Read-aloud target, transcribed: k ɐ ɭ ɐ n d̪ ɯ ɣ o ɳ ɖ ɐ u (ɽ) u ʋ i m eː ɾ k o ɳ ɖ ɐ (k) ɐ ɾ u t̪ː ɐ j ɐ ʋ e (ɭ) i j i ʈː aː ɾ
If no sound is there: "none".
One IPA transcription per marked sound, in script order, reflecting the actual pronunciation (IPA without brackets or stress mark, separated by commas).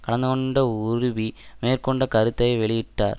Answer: ɾ, k, ɭ